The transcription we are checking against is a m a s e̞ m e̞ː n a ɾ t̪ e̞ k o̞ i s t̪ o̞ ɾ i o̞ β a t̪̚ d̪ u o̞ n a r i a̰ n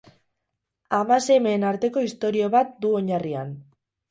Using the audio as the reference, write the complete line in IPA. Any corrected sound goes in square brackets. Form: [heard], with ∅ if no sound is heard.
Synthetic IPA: a m a s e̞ m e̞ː n a ɾ t̪ e̞ k o̞ i s t̪ o̞ ɾ i o̞ β a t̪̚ d̪ u o̞ [ɲ] a r i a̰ n

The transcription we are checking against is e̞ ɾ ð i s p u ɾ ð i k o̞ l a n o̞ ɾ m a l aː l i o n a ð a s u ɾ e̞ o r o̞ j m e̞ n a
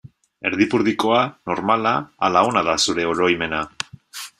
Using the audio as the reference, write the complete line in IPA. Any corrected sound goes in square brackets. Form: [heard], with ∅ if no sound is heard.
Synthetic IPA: e̞ ɾ ð i [∅] p u ɾ ð i k o̞ [∅] a n o̞ ɾ m a l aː l [a] o n a ð a s u ɾ e̞ o [ɾ] o̞ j m e̞ n a

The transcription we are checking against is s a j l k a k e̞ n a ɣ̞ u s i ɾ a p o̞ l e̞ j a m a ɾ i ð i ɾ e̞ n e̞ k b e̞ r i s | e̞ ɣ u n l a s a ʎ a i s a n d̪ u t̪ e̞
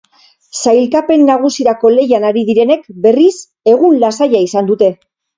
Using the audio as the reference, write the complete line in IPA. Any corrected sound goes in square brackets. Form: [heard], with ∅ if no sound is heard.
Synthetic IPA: s a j l k a [p] e̞ [nː] a ɣ̞ u s i ɾ a [k] o̞ l e̞ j a [n] a ɾ i ð i ɾ e̞ n e̞ k b e̞ r i s | e̞ ɣ u n l a s a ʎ a i s a n d̪ u t̪ e̞

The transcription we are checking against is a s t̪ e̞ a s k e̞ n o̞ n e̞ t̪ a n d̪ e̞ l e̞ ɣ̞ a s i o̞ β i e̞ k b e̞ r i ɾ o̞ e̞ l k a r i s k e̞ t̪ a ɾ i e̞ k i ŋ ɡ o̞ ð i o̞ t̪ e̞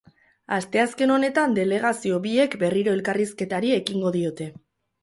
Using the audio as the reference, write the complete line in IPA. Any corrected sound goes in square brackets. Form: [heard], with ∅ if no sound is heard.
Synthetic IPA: a s t̪ e̞ a s k e̞ n o̞ n e̞ t̪ a n d̪ e̞ l e̞ ɣ̞ a s i o̞ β i e̞ k b e̞ r i ɾ o̞ e̞ l k a r i s k e̞ t̪ a ɾ i e̞ k i ŋ ɡ o̞ ð i o̞ t̪ e̞

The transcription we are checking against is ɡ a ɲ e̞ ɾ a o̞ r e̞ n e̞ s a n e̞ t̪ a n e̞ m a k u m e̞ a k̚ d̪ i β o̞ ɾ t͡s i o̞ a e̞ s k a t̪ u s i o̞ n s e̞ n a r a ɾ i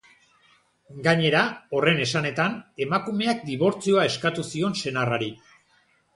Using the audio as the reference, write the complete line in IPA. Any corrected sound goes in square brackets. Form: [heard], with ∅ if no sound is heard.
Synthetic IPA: ɡ a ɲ e̞ ɾ a o̞ r e̞ n e̞ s a n e̞ t̪ a n e̞ m a k u m e̞ a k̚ d̪ i β o̞ ɾ t͡s i o̞ a e̞ s k a t̪ u s i o̞ n s e̞ n a r a ɾ i

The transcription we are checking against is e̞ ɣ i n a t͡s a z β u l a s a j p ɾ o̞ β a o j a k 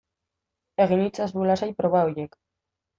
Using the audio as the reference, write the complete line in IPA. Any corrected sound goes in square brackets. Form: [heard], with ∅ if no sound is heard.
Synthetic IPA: e̞ ɣ i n [i] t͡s a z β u l a s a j p ɾ o̞ β a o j [e] k

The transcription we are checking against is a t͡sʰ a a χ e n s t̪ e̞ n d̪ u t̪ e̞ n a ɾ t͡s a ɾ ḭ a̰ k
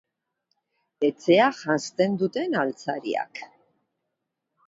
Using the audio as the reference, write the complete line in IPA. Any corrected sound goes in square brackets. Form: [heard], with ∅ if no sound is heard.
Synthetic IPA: [e] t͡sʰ [e] a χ [a] n s t̪ e̞ n d̪ u t̪ e̞ n a [l] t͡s a ɾ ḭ a̰ k

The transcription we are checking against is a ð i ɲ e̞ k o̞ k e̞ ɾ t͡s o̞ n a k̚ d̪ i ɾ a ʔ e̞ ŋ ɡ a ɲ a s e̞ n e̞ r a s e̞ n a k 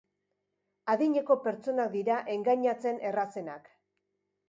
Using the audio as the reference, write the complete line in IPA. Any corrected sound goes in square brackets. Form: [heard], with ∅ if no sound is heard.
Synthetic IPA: a ð i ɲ e̞ k o̞ [p] e̞ ɾ t͡s o̞ n a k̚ d̪ i ɾ a ʔ e̞ ŋ ɡ a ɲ a [t͡s] e̞ n e̞ r a s e̞ n a k

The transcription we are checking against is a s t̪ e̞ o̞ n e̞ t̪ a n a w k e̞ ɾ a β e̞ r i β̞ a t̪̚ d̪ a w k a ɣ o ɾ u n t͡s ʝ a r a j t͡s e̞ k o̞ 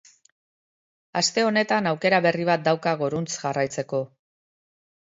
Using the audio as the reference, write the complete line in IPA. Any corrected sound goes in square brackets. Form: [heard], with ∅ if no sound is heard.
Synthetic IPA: a s t̪ e̞ o̞ n e̞ t̪ a n a w k e̞ ɾ a β e̞ r i β̞ a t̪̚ d̪ a w k a ɣ o ɾ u n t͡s ʝ a r a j t͡s e̞ k o̞

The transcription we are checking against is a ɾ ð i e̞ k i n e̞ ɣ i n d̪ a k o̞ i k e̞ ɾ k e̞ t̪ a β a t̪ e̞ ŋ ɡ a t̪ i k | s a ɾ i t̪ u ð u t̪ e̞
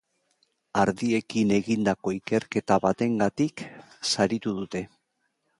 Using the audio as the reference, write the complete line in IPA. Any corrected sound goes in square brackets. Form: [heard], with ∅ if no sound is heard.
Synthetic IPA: a ɾ ð i e̞ k i n e̞ ɣ i n d̪ a k o̞ i k e̞ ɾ k e̞ t̪ a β a t̪ e̞ ŋ ɡ a t̪ i k | s a ɾ i t̪ u ð u t̪ e̞

